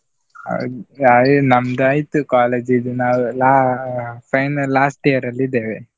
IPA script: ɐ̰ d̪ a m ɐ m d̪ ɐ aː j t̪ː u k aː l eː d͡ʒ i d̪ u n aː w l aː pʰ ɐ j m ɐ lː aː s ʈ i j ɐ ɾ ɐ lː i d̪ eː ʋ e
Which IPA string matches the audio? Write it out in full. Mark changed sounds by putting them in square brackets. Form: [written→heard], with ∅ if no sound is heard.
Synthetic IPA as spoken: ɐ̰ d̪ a [m→n] ɐ m d̪ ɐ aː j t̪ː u k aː l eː d͡ʒ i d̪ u n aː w l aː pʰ ɐ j [m→n] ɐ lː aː s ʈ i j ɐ ɾ ɐ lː i d̪ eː ʋ e